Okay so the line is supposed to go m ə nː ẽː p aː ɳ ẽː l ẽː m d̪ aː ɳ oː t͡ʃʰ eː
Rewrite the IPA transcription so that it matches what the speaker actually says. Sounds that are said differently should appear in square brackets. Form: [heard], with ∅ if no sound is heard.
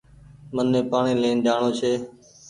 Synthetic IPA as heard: m ə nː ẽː p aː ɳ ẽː l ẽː [n] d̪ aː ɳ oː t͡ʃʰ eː